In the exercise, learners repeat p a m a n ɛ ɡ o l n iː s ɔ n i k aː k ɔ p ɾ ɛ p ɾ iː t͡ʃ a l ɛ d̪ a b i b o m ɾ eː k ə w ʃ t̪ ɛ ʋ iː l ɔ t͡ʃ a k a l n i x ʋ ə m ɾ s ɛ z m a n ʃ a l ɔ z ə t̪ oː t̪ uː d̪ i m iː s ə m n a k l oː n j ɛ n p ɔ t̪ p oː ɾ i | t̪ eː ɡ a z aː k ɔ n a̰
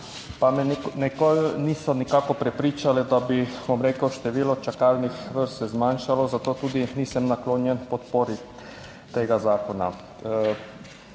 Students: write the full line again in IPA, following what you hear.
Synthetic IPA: p a m ɛ n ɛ k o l n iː s ɔ n i k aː k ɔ p ɾ ɛ p ɾ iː t͡ʃ a l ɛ d̪ a b i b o m ɾ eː k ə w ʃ t̪ ɛ ʋ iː l ɔ t͡ʃ a k a l n i x ʋ ə ɾ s ɛ z m a n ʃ a l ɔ z a t̪ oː t̪ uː d̪ i n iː s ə m n a k l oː n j ɛ n p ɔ t̪ p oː ɾ i | t̪ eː ɡ a z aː k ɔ n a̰